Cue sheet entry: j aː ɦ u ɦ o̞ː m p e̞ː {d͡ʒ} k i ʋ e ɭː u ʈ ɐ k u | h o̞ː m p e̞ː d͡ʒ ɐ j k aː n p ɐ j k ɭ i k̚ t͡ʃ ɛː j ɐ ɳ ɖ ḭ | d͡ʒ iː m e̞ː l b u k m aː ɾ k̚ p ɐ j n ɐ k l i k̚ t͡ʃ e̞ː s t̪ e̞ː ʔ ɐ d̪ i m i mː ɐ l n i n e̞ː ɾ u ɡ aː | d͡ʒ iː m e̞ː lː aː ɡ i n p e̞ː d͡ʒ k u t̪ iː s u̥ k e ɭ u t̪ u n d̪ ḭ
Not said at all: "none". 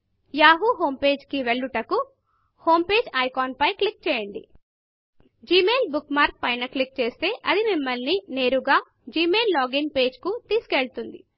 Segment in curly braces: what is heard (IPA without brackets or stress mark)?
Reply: d͡ʒ